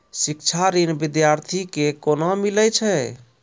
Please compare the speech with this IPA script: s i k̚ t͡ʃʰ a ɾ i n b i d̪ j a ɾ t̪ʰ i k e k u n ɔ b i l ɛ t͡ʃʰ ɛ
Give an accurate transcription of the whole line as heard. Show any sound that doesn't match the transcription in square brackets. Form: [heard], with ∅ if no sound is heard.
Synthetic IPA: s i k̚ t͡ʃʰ a ɾ i n b i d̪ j a ɾ t̪ʰ i k e k [o] n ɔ [m] i l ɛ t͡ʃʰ ɛ